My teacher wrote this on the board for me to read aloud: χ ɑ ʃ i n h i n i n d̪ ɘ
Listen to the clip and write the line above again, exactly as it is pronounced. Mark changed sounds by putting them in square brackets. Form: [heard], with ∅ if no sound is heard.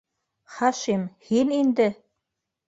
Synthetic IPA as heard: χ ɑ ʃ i [m] h i n i n d̪ ɘ